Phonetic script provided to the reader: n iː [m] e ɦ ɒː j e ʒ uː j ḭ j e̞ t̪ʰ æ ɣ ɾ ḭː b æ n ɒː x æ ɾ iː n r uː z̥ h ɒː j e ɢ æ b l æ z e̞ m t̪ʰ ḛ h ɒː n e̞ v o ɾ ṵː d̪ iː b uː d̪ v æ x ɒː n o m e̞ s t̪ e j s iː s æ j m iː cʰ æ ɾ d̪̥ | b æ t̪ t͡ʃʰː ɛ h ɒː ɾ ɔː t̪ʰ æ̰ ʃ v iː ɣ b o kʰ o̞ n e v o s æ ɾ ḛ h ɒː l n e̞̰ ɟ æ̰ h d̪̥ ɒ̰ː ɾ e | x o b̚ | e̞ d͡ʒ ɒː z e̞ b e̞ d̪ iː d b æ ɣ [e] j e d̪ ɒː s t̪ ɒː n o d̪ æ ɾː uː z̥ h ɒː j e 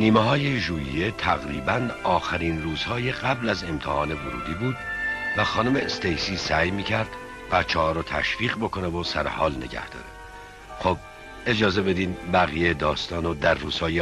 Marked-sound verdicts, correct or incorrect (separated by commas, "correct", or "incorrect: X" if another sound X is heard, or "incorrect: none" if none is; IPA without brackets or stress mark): correct, incorrect: i